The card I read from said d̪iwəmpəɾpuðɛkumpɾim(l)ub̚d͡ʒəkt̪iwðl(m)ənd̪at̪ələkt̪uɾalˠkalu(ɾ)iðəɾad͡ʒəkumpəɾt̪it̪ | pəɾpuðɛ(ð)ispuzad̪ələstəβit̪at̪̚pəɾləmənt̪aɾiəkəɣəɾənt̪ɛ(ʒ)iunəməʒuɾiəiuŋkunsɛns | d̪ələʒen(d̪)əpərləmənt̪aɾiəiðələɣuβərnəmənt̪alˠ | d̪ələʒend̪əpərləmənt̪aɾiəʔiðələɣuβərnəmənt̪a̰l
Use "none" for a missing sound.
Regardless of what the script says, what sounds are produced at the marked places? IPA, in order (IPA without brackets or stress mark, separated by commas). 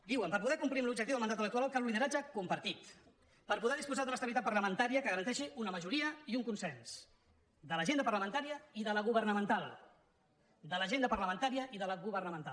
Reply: l, m, l, ð, ʃ, d̪